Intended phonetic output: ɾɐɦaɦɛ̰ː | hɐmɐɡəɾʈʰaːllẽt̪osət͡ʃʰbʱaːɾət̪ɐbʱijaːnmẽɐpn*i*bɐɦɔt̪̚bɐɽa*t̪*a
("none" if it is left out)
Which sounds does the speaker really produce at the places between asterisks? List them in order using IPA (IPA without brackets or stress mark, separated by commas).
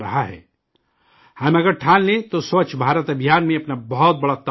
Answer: a, t̪